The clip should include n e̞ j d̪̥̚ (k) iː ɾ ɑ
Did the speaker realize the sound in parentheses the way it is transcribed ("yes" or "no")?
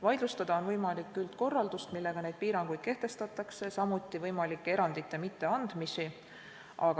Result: no